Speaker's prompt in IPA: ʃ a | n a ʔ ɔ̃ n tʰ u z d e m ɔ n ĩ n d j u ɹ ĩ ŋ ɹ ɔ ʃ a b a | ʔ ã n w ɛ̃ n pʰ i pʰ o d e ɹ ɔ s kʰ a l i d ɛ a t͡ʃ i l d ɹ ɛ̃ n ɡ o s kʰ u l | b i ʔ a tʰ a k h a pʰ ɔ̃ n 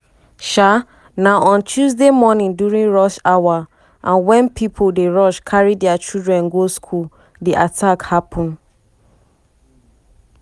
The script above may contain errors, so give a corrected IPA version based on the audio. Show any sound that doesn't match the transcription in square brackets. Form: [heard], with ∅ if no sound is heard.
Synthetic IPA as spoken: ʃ a | n a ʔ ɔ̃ n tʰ u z d e m ɔ n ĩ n d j u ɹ ĩ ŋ ɹ ɔ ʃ a [w] a | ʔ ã n w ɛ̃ n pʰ i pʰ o d e ɹ ɔ [ʃ] kʰ a [ɹ] i d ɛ a t͡ʃ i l d ɹ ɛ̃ n ɡ o s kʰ u l | [d] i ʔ a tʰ a k h a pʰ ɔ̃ n